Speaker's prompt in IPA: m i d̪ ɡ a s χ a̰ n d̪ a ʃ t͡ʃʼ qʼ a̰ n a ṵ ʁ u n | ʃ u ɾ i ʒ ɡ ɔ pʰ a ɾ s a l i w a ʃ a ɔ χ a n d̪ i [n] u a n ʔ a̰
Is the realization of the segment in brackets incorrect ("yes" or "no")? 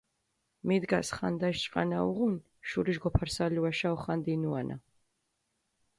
no